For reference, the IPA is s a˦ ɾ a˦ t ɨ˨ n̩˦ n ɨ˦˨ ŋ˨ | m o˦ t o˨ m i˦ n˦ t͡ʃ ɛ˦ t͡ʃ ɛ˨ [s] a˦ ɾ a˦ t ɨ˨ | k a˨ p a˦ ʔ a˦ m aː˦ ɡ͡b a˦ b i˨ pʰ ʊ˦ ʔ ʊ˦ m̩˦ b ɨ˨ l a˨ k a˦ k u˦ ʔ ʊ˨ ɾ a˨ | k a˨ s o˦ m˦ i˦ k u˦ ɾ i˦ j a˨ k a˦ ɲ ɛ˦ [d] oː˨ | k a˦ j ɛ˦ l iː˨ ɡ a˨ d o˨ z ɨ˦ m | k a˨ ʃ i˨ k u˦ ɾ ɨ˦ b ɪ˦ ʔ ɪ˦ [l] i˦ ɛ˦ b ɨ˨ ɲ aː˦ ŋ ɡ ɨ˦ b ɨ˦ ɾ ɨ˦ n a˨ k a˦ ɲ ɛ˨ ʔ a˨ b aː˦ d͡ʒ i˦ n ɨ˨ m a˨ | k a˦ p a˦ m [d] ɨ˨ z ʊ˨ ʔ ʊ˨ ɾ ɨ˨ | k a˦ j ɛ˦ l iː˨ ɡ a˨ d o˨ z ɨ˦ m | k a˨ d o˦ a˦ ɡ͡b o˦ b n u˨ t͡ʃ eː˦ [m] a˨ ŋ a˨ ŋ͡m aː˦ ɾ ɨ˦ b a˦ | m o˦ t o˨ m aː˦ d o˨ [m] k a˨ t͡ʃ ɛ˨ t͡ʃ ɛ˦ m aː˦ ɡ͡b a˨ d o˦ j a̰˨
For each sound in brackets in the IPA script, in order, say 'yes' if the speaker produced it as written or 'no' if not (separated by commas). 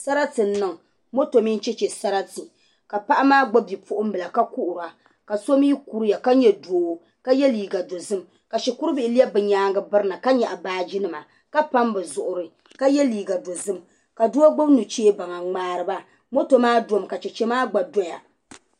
yes, yes, yes, no, no, yes